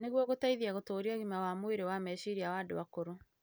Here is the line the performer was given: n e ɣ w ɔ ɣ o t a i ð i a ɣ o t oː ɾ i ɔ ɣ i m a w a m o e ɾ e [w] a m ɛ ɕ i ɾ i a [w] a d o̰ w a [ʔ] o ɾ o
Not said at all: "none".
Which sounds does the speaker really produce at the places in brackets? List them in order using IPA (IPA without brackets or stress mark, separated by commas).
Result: w, w, k